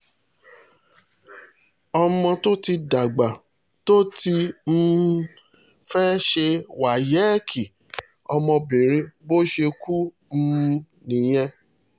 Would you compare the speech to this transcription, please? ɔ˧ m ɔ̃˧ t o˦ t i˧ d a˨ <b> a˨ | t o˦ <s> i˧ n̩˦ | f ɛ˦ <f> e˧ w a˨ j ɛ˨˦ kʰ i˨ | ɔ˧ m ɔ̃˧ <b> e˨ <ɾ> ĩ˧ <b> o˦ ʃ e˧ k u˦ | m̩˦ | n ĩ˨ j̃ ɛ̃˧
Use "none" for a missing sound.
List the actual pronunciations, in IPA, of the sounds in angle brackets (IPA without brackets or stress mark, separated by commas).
ɡ͡b, t, ʃ, b, ɾ, b